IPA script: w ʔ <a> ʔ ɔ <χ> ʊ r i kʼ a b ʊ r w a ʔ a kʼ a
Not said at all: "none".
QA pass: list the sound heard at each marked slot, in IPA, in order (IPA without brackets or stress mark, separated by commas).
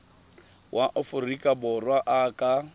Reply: a, f